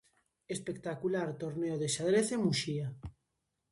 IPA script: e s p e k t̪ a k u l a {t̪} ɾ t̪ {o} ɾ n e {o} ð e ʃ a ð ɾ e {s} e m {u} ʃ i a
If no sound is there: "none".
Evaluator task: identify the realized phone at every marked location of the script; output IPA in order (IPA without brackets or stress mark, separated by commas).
none, o, o, θ, u